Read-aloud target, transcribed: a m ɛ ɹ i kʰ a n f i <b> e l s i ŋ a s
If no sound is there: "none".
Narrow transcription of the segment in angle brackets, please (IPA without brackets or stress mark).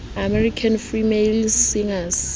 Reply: m